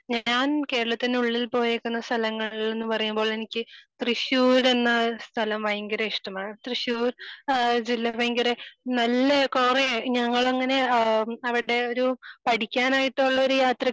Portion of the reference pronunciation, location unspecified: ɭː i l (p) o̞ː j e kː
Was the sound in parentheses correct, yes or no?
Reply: yes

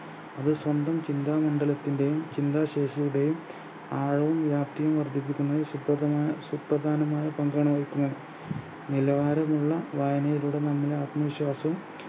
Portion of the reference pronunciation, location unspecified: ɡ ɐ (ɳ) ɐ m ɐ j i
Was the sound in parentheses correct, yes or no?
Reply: yes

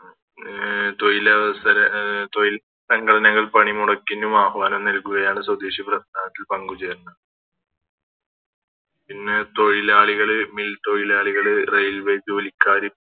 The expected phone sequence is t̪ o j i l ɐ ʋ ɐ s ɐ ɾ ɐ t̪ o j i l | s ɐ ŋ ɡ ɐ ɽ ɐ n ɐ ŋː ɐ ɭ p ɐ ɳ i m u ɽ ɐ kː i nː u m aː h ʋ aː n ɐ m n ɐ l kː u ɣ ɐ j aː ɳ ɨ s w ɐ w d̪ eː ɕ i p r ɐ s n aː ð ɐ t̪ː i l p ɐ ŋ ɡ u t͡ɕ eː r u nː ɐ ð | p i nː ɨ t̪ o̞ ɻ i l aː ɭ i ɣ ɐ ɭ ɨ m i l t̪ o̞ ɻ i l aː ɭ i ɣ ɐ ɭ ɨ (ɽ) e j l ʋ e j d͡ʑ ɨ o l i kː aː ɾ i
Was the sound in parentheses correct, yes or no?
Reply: no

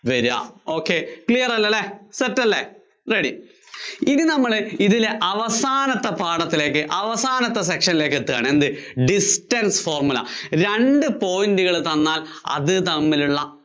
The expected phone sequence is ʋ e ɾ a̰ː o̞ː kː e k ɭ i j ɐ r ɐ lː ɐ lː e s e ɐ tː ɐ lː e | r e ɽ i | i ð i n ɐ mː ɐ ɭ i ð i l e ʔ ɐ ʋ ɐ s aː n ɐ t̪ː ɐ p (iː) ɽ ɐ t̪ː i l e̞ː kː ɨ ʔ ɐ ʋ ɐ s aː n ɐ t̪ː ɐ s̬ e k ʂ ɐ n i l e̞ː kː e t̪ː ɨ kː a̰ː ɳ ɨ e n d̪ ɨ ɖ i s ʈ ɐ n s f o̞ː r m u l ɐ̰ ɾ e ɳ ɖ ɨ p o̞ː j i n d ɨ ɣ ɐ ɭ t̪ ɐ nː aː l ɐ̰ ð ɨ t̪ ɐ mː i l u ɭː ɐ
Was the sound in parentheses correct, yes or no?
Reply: no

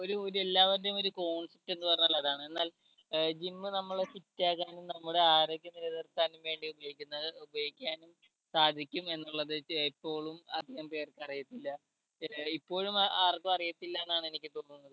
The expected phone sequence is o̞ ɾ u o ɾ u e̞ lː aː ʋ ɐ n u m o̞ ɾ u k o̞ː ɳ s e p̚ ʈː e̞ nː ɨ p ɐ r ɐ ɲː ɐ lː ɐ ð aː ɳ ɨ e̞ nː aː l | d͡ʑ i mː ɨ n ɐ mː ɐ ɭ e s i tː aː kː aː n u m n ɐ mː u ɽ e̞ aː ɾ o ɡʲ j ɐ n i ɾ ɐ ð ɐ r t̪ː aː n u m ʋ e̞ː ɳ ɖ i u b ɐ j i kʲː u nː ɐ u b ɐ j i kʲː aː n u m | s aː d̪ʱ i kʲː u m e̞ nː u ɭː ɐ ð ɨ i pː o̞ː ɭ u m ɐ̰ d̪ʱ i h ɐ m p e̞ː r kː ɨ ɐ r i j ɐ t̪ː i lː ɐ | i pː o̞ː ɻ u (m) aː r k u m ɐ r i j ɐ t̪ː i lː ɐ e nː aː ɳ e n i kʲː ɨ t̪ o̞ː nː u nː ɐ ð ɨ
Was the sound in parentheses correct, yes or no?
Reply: yes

